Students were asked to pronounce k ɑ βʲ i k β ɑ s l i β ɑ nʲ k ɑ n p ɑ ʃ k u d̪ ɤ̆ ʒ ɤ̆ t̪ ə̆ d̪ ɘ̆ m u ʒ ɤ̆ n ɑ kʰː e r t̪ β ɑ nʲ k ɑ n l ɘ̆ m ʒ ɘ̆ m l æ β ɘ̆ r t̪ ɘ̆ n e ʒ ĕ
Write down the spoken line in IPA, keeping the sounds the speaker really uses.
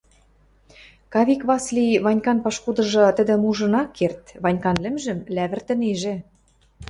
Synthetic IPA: k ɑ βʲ i k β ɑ s l i β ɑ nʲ k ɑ n p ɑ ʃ k u d̪ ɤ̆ ʒ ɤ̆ t̪ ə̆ d̪ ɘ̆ m u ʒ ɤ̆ n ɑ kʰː e r t̪ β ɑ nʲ k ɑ n l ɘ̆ m ʒ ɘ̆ m l æ β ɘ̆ r t̪ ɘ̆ n e ʒ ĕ